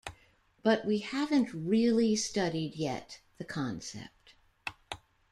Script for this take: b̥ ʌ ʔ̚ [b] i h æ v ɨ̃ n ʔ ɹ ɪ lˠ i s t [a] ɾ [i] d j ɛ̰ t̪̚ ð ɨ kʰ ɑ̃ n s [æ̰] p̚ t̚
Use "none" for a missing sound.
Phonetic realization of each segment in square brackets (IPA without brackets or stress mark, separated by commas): w, ʌ, i, ɛ̰